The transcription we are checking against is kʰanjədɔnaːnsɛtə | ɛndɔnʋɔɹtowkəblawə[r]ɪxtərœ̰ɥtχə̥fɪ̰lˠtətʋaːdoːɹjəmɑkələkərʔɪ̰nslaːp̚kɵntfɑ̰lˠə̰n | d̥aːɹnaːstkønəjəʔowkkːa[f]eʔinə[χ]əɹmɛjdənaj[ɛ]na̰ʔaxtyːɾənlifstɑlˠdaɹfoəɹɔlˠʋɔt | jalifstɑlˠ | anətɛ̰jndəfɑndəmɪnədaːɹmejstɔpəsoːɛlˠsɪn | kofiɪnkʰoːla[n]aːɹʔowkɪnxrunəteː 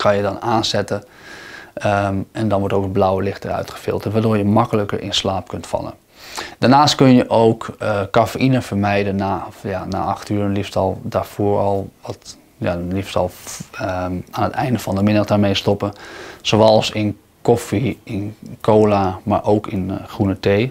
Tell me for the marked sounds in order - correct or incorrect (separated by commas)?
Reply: incorrect, correct, incorrect, incorrect, incorrect